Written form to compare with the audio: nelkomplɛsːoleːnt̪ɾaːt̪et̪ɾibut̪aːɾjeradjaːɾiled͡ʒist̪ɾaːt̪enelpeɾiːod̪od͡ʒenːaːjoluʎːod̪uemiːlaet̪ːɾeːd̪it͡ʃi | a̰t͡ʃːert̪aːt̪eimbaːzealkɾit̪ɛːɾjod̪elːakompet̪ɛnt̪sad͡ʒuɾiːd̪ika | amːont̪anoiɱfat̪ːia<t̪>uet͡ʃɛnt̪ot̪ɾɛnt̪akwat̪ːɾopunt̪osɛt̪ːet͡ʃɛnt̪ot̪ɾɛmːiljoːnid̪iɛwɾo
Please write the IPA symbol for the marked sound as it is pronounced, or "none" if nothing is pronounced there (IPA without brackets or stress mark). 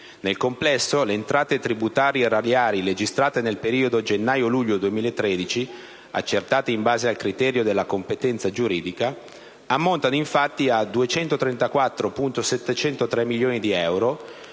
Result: d̪